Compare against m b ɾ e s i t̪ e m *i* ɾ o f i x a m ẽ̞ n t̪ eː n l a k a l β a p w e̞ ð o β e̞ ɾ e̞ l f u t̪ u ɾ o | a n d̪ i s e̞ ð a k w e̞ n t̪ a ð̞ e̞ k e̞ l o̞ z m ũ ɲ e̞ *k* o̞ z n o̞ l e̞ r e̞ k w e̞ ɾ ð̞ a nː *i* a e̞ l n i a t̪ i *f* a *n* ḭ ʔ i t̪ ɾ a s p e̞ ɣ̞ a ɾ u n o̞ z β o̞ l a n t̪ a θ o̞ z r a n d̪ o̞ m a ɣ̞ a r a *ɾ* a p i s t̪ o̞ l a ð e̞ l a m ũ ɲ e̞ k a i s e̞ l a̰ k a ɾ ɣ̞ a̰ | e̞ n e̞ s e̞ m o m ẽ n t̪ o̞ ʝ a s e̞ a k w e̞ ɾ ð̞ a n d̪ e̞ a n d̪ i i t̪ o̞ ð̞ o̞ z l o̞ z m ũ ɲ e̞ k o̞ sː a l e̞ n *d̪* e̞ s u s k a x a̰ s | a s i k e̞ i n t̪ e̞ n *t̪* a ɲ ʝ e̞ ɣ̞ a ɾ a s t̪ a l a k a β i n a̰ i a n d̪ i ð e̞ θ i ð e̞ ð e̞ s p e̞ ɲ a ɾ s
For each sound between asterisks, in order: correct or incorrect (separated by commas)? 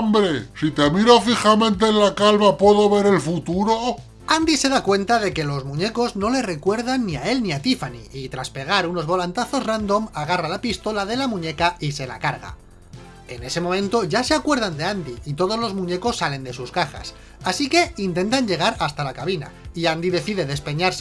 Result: correct, correct, correct, correct, correct, incorrect, correct, correct